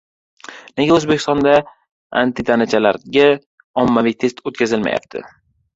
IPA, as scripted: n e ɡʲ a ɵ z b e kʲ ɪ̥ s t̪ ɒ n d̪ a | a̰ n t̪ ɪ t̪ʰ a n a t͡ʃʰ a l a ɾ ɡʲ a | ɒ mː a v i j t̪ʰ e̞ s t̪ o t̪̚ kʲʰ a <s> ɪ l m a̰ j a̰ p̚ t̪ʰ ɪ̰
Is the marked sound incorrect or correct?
incorrect